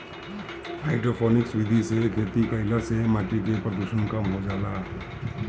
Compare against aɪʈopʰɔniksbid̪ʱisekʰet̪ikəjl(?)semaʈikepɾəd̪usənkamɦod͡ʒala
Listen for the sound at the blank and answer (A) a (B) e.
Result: A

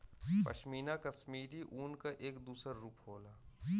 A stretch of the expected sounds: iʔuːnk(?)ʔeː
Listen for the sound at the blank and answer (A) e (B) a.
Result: B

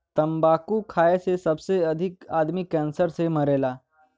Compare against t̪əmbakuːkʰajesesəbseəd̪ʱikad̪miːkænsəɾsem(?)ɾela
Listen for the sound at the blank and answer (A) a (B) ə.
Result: B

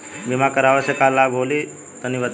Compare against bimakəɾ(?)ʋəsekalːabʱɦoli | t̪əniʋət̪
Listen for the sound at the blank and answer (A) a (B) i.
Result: A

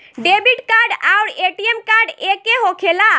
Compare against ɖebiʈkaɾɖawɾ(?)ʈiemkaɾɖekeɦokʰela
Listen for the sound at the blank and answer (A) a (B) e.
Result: B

